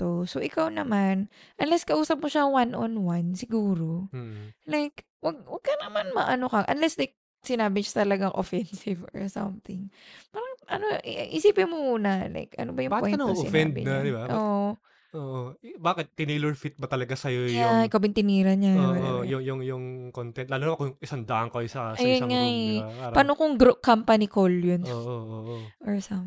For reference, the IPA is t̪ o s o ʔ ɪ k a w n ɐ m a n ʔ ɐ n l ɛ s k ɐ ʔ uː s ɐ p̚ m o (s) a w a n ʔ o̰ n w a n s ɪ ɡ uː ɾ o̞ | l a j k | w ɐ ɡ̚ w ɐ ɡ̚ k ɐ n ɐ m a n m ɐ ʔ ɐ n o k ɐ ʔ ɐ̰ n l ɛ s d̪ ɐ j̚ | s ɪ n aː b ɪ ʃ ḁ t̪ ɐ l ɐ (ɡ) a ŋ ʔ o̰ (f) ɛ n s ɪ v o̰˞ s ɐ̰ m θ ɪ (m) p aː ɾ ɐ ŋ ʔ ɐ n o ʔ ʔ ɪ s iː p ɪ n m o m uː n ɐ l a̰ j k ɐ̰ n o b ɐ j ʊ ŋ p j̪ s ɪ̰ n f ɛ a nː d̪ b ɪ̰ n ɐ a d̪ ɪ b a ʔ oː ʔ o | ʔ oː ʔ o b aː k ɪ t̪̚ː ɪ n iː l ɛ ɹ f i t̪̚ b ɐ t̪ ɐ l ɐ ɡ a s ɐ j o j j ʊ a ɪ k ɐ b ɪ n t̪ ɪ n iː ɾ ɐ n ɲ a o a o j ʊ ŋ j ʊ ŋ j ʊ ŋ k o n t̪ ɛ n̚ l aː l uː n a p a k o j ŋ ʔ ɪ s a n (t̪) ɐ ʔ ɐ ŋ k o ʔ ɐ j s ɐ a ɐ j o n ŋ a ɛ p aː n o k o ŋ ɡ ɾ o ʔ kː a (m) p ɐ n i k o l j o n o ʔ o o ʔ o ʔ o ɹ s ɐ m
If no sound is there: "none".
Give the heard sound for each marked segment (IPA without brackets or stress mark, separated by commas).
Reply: ʃ, ɡ, f, ŋ, d̪, m